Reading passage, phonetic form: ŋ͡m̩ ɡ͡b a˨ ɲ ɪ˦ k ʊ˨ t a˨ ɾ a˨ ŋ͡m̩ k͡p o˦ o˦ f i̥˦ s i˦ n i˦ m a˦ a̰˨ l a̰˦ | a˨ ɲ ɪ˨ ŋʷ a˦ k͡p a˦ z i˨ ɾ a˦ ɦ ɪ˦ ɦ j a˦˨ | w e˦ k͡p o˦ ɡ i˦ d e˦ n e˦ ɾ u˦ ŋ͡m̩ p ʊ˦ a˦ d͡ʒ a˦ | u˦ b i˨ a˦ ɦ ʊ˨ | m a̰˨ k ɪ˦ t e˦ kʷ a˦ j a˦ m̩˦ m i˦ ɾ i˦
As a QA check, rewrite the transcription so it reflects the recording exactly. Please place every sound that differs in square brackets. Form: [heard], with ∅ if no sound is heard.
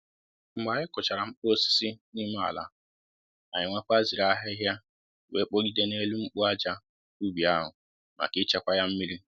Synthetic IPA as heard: ŋ͡m̩ ɡ͡b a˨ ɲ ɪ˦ k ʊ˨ [t͡ʃ] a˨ ɾ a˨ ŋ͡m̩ k͡p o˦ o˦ [s] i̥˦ s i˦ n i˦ m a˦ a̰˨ l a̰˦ | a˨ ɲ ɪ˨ ŋʷ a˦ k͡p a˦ z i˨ ɾ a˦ ɦ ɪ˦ ɦ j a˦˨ | w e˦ k͡p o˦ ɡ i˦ d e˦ n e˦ [l] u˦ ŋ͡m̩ [k͡p] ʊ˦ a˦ d͡ʒ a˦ | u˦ b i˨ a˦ ɦ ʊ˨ | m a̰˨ k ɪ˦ [t͡ʃ] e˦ kʷ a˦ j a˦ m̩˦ m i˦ ɾ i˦